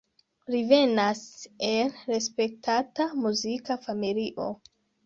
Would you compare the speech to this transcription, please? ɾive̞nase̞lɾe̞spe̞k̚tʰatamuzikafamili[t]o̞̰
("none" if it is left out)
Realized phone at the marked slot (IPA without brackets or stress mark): ʔ